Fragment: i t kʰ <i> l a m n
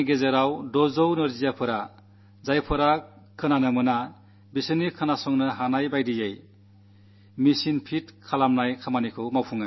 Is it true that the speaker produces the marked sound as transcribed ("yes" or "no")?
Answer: no